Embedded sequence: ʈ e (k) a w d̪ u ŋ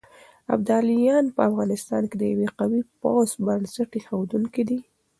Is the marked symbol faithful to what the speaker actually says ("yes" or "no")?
no